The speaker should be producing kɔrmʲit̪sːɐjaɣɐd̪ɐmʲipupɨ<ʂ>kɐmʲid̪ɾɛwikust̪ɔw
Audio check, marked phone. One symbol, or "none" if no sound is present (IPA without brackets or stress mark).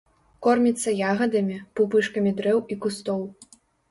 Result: ʂ